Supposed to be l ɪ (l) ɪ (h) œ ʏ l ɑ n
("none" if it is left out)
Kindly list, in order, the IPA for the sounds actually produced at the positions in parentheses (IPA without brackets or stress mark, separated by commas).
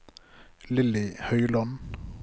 l, h